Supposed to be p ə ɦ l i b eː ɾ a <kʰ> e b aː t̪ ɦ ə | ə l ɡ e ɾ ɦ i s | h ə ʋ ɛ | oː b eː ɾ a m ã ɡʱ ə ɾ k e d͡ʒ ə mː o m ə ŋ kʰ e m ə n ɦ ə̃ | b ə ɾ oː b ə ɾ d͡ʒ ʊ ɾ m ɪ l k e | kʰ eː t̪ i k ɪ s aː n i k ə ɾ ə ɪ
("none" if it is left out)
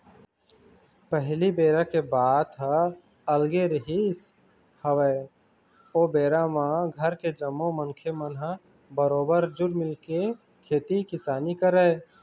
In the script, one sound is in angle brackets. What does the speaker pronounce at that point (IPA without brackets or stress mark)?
k